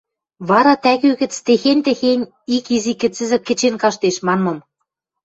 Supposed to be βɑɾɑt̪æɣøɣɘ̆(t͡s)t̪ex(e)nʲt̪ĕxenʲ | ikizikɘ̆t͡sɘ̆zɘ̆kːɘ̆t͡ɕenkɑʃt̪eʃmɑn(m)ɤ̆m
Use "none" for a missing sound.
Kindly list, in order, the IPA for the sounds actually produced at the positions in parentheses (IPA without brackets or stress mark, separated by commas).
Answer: t͡s, e, m